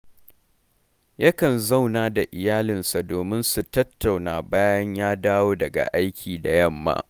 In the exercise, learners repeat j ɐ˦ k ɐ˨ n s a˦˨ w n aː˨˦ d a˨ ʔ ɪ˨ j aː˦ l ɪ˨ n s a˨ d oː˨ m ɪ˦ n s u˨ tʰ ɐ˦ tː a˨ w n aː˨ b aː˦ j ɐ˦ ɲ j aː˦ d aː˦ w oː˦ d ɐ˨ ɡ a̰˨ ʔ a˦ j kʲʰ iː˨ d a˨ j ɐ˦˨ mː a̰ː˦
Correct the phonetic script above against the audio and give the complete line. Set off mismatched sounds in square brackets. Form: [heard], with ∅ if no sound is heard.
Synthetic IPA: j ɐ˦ k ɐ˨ n [z] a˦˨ w n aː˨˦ d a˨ ʔ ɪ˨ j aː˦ l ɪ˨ n s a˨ d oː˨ m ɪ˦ n s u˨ [t] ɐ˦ tː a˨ w n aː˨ b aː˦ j ɐ˦ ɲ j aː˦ d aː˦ w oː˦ d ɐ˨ ɡ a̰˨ ʔ a˦ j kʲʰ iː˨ d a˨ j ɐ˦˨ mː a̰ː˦